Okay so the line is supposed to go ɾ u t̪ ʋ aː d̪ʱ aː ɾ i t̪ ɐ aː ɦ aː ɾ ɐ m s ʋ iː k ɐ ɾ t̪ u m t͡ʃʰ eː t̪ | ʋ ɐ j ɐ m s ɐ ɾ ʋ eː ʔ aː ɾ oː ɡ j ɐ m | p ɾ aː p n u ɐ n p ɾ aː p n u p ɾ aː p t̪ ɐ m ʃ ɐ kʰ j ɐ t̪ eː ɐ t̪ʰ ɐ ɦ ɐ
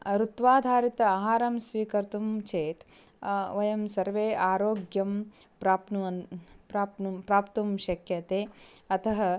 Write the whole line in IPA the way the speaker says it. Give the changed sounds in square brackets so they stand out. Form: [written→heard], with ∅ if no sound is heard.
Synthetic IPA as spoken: ɾ u t̪ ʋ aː d̪ʱ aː ɾ i t̪ ɐ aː ɦ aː ɾ ɐ m s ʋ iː k ɐ ɾ t̪ u m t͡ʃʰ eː t̪ | ʋ ɐ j ɐ m s ɐ ɾ ʋ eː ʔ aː ɾ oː ɡ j ɐ m | p ɾ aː p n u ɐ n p ɾ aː p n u p ɾ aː p t̪ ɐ m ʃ ɐ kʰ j ɐ t̪ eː ɐ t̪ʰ ɐ ɦ ɐ